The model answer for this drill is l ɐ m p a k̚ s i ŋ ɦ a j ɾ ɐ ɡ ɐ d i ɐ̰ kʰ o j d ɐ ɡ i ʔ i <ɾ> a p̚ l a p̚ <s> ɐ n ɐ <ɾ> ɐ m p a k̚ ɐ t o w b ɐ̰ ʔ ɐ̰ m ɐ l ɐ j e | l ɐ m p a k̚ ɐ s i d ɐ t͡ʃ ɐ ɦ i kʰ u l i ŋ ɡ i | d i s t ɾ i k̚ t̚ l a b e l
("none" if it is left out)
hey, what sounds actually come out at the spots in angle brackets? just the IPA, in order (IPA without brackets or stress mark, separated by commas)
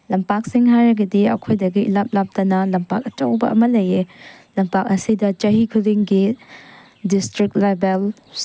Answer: l, t, l